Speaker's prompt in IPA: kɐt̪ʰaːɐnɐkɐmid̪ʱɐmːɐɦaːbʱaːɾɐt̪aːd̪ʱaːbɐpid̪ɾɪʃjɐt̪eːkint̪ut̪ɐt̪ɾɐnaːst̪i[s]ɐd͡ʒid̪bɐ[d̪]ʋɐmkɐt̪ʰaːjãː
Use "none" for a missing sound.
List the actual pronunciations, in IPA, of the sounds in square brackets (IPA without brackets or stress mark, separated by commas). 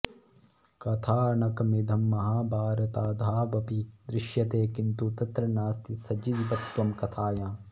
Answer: s, t̪